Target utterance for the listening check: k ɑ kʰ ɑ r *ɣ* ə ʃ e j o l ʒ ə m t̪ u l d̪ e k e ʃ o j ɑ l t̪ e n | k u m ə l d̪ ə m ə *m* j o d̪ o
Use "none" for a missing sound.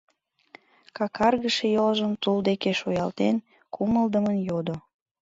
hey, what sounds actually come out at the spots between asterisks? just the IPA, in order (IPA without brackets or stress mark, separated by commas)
ɣ, n